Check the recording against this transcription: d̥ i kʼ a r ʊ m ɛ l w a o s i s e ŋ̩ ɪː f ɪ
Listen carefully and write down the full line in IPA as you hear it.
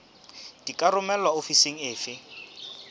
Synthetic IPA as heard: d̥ i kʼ a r ʊ m ɛ l w a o f i s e ŋ̩ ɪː f ɪ